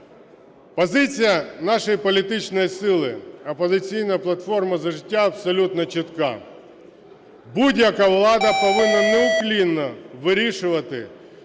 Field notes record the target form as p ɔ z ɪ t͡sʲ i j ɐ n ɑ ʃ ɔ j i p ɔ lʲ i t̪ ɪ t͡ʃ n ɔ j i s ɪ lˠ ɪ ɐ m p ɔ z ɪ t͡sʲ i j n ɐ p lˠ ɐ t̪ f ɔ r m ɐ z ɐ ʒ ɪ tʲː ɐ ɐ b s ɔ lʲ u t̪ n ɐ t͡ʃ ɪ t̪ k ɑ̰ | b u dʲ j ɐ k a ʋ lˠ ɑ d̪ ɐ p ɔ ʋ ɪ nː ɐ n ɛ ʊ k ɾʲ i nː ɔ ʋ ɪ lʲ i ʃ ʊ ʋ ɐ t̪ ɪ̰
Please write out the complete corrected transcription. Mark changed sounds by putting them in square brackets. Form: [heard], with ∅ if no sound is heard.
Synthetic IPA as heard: p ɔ z ɪ t͡sʲ i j ɐ n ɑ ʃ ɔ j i p ɔ lʲ i t̪ ɪ t͡ʃ n ɔ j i s ɪ lˠ ɪ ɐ [∅] p ɔ z ɪ t͡sʲ i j n ɐ p lˠ ɐ t̪ f ɔ r m ɐ z ɐ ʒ ɪ tʲː [a] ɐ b s ɔ lʲ u t̪ n ɐ t͡ʃ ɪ t̪ k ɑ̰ | b u dʲ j ɐ k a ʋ lˠ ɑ d̪ ɐ p ɔ ʋ ɪ nː ɐ n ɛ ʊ k [lʲ] i nː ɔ ʋ ɪ [ɾʲ] i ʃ ʊ ʋ ɐ t̪ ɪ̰